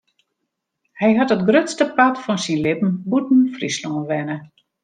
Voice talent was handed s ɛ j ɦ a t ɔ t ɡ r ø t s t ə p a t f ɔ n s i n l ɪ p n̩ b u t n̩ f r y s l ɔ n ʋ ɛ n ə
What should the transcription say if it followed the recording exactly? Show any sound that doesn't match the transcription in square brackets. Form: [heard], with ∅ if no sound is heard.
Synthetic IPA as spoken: [h] ɛ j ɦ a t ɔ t ɡ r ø t s t ə p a t f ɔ n s i n l ɪ p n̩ b u t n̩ f r [i] s l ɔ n ʋ ɛ n ə